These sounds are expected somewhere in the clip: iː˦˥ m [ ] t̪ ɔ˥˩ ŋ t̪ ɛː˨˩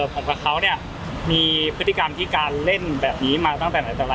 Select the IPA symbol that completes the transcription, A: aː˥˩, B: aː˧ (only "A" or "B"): B